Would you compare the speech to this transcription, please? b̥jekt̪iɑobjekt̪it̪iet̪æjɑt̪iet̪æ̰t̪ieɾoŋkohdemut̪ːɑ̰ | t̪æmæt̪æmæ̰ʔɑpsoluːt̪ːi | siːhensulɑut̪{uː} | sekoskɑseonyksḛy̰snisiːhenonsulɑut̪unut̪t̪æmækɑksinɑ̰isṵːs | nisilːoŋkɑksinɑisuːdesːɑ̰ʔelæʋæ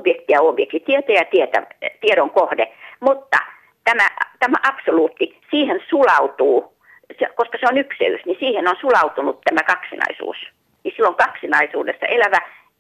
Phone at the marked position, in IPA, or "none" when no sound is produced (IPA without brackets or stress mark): uː